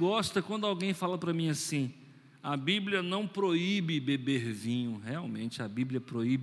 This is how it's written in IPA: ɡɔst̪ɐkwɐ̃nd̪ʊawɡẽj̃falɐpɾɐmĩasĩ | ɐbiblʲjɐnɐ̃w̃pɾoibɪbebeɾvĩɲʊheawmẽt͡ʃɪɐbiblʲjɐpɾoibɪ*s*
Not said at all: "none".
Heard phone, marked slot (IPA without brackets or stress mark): none